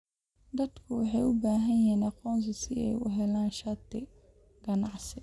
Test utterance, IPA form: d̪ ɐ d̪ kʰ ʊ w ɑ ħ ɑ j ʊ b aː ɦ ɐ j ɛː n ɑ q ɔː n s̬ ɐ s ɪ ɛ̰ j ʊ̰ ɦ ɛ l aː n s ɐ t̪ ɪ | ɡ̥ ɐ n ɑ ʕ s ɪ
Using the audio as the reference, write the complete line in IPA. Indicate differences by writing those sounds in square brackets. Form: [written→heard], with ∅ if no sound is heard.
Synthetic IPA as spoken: d̪ ɐ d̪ kʰ ʊ w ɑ ħ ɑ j ʊ b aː ɦ ɐ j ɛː n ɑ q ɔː n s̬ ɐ s ɪ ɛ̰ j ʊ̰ ɦ ɛ l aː n [s→ʃ] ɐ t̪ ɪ | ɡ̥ ɐ n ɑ ʕ s ɪ